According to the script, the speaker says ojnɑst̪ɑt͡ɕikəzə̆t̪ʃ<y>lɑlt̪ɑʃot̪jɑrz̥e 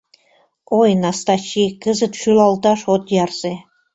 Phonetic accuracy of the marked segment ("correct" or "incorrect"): correct